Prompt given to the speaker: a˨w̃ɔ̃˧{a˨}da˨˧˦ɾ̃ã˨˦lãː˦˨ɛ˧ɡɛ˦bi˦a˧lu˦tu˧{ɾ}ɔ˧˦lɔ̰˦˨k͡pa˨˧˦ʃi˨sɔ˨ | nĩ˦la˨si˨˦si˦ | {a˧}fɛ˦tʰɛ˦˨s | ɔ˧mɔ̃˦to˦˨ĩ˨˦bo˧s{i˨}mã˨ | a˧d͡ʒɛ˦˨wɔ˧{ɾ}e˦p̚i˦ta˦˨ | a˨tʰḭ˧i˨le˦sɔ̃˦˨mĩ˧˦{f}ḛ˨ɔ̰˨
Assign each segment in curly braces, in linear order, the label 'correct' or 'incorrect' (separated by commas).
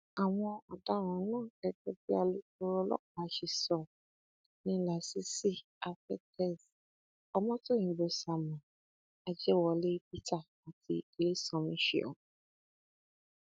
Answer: correct, correct, correct, incorrect, incorrect, incorrect